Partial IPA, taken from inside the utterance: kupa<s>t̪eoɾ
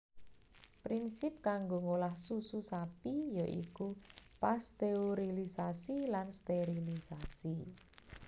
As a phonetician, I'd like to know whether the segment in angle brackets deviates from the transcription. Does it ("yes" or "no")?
no